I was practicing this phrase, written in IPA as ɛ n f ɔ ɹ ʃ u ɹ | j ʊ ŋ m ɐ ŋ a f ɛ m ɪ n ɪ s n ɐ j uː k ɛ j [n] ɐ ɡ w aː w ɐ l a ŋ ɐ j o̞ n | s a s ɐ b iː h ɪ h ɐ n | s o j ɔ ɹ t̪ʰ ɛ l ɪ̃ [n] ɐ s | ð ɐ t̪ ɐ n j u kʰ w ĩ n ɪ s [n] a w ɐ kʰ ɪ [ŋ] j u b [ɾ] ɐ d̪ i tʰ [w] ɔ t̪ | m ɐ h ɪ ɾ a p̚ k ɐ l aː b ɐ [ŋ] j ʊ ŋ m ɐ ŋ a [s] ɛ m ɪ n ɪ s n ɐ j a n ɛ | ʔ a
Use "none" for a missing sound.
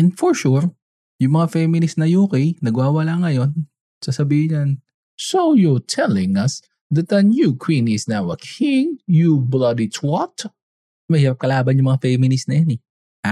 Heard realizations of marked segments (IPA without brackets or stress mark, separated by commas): n, ŋ, n, ŋ, l, w, n, f